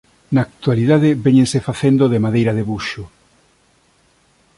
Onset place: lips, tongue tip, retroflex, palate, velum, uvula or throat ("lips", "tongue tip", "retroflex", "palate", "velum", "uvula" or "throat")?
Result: tongue tip